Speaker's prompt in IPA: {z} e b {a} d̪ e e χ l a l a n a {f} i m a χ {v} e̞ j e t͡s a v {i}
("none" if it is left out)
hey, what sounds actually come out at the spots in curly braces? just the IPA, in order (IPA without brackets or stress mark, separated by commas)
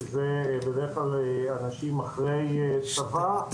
z, e, ʃ, ʁ, a